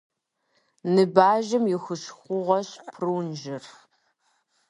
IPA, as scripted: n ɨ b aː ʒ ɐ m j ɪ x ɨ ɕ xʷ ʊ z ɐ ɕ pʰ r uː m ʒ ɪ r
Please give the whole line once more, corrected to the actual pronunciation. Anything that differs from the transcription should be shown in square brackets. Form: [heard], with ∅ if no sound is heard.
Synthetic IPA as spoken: n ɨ b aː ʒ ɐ m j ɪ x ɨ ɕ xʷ ʊ [ʁ] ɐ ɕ pʰ r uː [n] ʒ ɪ r